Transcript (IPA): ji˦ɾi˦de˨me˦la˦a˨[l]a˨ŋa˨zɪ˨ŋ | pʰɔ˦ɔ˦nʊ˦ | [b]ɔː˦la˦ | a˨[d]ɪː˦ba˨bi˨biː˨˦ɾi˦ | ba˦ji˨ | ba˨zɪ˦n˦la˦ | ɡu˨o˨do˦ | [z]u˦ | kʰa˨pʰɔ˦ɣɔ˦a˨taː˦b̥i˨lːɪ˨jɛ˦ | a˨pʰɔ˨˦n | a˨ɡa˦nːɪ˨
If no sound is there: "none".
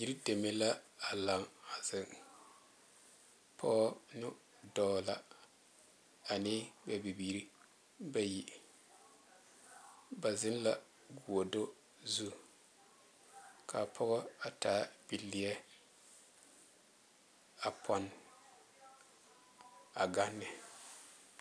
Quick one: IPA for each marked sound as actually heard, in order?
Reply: l, d, n, z

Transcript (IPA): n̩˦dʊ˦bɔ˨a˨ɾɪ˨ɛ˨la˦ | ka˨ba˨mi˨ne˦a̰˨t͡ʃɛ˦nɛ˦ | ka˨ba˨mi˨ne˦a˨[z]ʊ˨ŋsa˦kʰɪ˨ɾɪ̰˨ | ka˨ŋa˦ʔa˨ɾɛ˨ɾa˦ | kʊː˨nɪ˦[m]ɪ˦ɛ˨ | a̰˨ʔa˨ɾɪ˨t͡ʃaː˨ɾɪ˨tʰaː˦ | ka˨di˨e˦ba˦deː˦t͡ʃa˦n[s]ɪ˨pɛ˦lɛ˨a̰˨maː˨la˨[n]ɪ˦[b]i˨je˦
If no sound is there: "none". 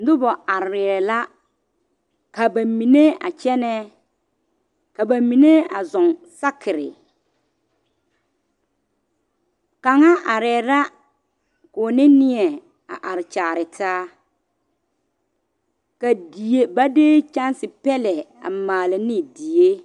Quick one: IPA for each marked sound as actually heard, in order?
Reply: z, n, s, n, d

